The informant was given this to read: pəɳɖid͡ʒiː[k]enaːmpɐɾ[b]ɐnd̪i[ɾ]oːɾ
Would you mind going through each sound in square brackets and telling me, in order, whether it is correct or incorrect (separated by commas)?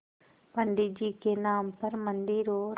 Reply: correct, incorrect, correct